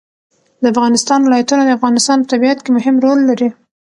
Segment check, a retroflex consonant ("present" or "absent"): absent